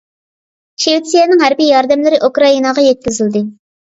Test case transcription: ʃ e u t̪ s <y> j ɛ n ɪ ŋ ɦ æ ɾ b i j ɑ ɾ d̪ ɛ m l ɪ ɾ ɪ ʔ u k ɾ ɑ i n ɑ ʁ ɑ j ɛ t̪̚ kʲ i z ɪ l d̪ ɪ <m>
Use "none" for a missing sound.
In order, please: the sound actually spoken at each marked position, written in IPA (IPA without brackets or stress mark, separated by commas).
i, none